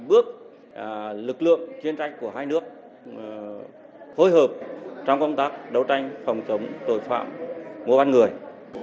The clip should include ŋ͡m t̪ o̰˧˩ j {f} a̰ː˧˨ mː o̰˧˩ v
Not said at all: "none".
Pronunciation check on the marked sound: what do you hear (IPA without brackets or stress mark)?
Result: f